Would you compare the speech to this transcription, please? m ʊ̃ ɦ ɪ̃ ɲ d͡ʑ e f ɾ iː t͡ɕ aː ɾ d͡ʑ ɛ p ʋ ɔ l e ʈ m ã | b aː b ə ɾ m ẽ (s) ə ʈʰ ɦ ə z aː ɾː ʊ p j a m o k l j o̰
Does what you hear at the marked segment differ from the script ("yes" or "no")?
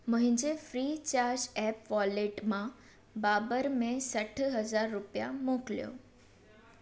no